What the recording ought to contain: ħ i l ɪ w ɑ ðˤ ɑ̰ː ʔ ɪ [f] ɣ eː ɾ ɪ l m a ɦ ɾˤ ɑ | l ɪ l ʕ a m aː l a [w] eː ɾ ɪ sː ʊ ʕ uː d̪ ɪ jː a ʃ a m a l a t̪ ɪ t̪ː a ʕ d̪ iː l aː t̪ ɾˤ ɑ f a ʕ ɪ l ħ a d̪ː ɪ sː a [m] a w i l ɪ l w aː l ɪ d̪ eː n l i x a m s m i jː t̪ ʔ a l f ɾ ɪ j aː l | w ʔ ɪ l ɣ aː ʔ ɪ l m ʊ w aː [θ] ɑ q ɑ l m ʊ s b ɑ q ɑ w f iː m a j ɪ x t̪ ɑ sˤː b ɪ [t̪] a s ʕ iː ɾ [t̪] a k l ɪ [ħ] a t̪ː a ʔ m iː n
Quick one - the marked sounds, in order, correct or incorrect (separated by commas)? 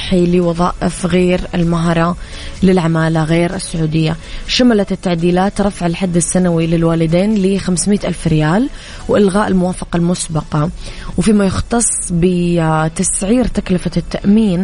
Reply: correct, incorrect, incorrect, incorrect, correct, correct, incorrect